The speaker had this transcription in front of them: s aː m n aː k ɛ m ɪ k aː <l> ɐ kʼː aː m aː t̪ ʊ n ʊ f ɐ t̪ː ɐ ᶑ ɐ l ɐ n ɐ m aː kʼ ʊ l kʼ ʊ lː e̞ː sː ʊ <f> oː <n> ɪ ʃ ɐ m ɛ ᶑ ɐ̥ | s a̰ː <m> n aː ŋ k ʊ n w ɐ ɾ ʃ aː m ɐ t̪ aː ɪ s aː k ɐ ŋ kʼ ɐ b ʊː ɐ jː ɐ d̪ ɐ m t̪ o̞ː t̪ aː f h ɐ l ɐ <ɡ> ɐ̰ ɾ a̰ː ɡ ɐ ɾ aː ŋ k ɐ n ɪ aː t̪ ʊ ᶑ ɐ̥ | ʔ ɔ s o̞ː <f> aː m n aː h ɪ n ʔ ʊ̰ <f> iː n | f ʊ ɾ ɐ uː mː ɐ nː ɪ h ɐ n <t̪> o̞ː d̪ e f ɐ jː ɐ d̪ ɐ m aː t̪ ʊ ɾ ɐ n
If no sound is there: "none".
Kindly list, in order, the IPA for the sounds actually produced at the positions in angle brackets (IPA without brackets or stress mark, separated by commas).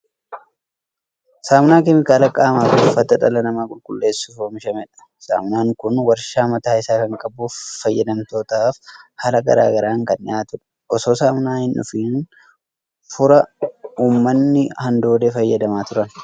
l, f, m, m, ɡ, s, f, d̪